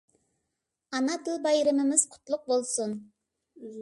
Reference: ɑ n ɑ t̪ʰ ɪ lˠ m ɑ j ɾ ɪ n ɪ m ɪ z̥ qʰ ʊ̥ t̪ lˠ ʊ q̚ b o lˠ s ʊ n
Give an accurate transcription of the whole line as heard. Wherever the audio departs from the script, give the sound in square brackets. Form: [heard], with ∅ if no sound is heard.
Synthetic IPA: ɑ n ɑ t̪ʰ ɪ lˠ [b] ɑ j ɾ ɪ [m] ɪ m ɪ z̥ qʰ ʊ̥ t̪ lˠ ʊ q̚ b o lˠ s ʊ n